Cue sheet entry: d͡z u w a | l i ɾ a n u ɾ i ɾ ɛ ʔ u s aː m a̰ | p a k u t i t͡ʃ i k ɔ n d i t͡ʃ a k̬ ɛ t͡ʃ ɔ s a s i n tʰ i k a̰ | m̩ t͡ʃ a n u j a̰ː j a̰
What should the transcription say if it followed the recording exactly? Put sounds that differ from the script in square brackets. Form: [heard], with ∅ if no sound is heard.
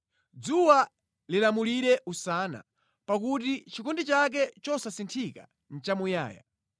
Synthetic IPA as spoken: d͡z u w a | l i [l] a [m] u [l] i ɾ ɛ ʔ u s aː [n] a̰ | p a k u t i t͡ʃ i k ɔ n d i t͡ʃ a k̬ ɛ t͡ʃ ɔ s a s i n tʰ i k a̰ | [n̩] t͡ʃ a [m] u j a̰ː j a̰